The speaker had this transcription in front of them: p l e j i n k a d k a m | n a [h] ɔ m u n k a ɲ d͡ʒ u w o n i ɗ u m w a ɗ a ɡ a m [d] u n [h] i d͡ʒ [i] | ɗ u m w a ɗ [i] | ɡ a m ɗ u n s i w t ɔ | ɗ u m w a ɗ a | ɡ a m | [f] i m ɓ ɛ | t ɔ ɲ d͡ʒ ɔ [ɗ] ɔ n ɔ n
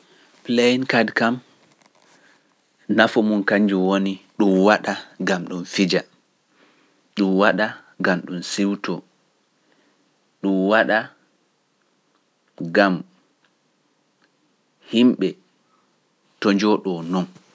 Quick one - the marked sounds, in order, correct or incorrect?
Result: incorrect: f, incorrect: ɗ, incorrect: f, incorrect: a, incorrect: a, incorrect: h, correct

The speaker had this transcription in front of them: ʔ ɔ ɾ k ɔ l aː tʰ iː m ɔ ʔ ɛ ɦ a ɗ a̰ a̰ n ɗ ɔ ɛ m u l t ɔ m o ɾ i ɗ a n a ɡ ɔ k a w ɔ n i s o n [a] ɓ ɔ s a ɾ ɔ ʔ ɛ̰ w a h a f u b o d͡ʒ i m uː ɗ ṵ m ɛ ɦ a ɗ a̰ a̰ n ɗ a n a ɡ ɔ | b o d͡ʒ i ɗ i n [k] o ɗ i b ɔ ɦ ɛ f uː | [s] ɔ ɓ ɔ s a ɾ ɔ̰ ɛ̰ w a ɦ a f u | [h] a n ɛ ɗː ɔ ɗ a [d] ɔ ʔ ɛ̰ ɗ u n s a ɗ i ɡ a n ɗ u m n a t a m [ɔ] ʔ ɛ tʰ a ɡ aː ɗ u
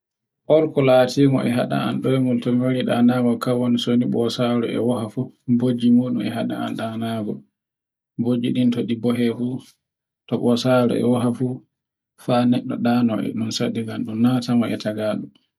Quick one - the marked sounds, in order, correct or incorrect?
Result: incorrect: i, incorrect: t, incorrect: t, incorrect: f, incorrect: n, correct

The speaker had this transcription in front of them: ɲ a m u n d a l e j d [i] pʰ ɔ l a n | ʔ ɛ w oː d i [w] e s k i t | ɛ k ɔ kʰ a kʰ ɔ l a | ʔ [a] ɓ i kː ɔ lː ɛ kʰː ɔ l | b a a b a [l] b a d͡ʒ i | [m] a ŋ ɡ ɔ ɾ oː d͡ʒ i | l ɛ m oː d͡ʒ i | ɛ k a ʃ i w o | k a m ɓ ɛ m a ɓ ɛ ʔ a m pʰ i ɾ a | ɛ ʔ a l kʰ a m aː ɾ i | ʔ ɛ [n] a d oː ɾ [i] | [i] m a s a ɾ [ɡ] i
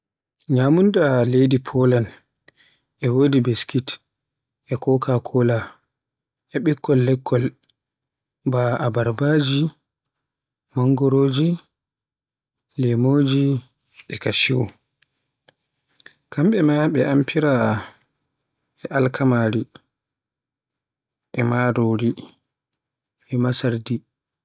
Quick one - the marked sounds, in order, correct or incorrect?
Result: correct, incorrect: b, incorrect: ɛ, incorrect: ɾ, correct, incorrect: m, correct, incorrect: ɛ, incorrect: d

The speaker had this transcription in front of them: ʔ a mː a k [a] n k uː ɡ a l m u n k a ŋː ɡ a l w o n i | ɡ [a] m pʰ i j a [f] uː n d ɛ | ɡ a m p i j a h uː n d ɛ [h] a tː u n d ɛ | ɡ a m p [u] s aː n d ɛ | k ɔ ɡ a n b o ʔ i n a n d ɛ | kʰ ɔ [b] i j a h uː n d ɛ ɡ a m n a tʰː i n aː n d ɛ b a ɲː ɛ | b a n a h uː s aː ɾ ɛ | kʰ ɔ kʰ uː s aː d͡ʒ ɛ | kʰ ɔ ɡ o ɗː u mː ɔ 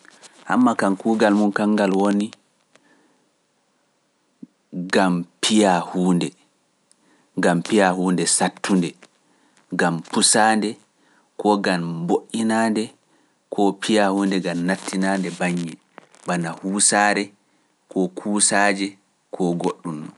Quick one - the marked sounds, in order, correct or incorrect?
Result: correct, correct, incorrect: h, incorrect: s, correct, incorrect: p

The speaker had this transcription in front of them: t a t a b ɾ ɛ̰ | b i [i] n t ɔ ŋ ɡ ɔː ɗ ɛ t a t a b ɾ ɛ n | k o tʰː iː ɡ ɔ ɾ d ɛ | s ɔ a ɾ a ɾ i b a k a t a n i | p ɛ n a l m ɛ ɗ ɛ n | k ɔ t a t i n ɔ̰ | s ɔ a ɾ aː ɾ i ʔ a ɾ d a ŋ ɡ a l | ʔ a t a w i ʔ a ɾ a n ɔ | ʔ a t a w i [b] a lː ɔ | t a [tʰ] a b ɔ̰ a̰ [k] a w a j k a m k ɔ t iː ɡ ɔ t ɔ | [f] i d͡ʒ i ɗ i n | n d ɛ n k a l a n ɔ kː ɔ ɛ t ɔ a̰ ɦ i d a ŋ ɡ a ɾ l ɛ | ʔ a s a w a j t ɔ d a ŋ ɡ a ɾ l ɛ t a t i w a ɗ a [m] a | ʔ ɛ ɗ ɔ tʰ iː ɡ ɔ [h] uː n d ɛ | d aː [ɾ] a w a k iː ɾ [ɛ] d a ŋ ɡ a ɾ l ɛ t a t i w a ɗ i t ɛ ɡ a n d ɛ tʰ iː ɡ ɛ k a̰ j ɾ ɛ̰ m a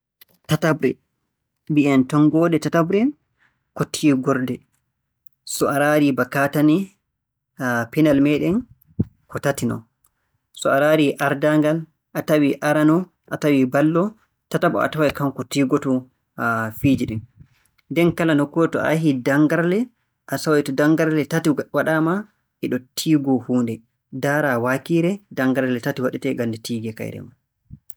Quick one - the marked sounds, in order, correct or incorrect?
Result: incorrect: ɛ, correct, incorrect: t, incorrect: t, correct, correct, correct, correct, correct

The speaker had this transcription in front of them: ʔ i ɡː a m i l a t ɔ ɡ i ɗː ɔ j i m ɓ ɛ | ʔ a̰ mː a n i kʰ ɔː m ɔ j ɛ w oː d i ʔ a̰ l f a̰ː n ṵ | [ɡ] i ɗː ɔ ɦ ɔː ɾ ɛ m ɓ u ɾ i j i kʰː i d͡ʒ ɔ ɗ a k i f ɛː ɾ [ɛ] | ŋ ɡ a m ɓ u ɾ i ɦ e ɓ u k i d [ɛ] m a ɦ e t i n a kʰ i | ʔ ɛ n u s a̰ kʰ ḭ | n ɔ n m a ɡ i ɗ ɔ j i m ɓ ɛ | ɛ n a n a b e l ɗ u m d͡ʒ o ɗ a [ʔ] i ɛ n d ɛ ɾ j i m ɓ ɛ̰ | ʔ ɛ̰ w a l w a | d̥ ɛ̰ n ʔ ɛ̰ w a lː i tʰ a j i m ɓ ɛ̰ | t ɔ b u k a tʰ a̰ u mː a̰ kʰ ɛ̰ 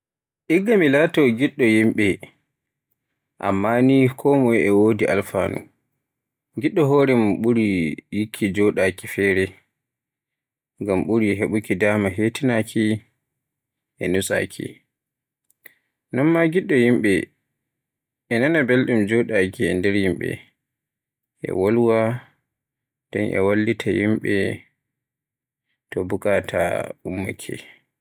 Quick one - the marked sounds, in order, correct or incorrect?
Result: correct, correct, incorrect: a, incorrect: k

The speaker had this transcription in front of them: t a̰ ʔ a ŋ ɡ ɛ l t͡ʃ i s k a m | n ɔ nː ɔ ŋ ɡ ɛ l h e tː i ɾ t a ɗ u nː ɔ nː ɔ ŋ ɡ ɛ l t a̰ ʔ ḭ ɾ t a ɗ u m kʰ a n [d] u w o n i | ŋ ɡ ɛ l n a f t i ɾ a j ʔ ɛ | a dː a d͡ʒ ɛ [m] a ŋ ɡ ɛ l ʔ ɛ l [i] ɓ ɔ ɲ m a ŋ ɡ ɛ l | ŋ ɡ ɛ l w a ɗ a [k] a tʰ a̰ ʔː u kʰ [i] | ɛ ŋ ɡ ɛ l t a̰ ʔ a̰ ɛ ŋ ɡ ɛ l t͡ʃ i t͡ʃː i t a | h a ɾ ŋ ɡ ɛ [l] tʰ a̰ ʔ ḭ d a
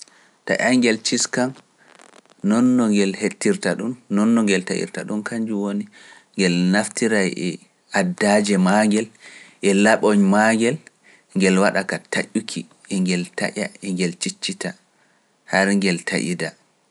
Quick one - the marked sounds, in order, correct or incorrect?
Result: incorrect: d͡ʒ, correct, incorrect: a, correct, correct, correct

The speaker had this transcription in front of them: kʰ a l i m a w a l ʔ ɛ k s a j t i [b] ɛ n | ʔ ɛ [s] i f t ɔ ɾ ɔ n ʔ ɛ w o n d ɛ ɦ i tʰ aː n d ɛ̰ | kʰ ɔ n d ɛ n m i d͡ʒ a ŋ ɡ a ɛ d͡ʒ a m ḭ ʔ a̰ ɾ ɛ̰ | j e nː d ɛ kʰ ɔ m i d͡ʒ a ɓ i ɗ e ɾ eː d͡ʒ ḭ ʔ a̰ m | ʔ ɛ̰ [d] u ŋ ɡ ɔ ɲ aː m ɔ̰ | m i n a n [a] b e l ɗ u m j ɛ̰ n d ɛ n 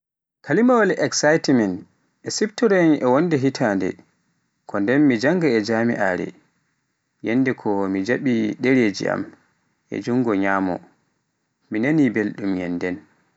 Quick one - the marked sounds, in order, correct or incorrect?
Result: incorrect: m, correct, incorrect: d͡ʒ, incorrect: i

